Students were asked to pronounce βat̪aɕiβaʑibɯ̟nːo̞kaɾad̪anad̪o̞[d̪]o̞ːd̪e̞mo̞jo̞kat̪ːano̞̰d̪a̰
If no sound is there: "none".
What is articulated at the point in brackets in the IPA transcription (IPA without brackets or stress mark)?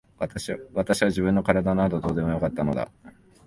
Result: d̪